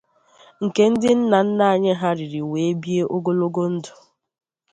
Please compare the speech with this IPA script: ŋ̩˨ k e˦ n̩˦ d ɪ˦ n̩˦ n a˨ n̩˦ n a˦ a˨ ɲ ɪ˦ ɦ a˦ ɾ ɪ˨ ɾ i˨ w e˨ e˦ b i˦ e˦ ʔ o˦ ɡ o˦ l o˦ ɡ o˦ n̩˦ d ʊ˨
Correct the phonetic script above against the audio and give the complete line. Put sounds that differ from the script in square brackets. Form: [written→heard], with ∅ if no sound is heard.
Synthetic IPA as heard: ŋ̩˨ k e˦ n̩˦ d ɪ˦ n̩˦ n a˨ n̩˦ n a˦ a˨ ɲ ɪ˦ ɦ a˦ ɾ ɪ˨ ɾ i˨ w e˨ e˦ b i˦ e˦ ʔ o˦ ɡ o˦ l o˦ ɡ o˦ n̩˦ d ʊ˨